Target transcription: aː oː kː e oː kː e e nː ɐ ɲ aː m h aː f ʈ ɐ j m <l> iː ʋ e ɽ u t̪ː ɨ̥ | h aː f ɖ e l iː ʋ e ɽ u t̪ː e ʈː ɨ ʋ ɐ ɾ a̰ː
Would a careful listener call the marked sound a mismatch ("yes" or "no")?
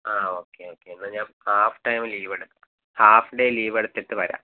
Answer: no